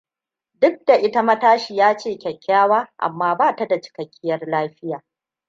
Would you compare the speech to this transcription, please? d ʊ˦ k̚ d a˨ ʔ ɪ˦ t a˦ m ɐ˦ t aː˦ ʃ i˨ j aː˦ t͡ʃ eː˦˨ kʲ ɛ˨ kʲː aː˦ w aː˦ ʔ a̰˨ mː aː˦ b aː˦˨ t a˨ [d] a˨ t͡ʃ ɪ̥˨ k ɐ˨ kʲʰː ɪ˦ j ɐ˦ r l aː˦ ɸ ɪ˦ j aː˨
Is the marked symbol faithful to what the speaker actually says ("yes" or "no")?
yes